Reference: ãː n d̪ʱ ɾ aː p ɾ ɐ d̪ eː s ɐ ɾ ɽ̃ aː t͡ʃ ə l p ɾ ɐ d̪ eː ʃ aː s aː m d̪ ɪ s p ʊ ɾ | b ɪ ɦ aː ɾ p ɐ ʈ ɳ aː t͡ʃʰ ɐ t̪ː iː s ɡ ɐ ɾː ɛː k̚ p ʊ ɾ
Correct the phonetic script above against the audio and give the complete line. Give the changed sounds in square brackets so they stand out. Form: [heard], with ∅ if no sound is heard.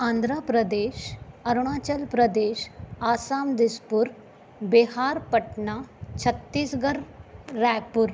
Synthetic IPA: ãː n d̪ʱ ɾ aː p ɾ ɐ d̪ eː [ʃ] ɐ ɾ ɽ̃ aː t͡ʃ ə l p ɾ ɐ d̪ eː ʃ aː s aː m d̪ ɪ s p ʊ ɾ | b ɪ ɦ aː ɾ p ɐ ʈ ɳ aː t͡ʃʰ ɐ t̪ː iː s ɡ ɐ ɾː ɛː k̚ p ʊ ɾ

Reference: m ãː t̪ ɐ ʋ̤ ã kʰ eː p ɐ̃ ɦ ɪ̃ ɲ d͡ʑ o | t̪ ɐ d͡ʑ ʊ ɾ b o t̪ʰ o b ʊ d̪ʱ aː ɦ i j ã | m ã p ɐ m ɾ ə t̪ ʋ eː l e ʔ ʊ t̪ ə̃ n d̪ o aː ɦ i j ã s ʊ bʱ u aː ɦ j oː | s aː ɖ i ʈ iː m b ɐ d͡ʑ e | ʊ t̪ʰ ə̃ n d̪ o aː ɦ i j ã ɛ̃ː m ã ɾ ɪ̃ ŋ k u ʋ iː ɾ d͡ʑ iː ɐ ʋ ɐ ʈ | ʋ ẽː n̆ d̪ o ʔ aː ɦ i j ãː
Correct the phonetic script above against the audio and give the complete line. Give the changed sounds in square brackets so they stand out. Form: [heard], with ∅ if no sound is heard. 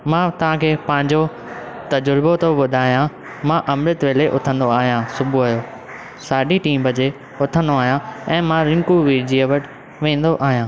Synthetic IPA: m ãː t̪ ɐ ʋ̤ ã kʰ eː p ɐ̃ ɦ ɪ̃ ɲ d͡ʑ o | t̪ ɐ d͡ʑ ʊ ɾ b o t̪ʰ o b ʊ d̪ʱ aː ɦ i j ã | m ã [ʔ] ɐ m ɾ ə t̪ ʋ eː l e ʔ ʊ [t̪ʰ] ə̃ n d̪ o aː ɦ i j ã s ʊ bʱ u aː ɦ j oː | s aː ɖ i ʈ iː m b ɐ d͡ʑ e | ʊ t̪ʰ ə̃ n d̪ o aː ɦ i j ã ɛ̃ː m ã ɾ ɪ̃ ŋ k u ʋ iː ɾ d͡ʑ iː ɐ ʋ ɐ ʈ | ʋ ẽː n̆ d̪ o ʔ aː ɦ i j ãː

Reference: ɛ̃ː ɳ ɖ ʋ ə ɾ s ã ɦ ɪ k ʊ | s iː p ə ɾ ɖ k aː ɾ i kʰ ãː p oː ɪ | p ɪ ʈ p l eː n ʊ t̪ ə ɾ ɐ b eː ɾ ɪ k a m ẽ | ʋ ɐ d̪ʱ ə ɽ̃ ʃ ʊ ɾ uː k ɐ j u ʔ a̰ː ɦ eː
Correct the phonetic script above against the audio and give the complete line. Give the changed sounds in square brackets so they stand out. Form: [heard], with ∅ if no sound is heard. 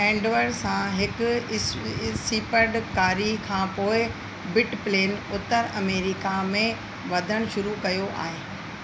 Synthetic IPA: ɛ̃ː ɳ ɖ ʋ ə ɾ s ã ɦ ɪ k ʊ | s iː p ə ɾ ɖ k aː ɾ i kʰ ãː p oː ɪ | [b] ɪ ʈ p l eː n ʊ t̪ ə ɾ ɐ [m] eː ɾ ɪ k a m ẽ | ʋ ɐ d̪ʱ ə ɽ̃ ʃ ʊ ɾ [u] k ɐ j [o] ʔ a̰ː ɦ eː

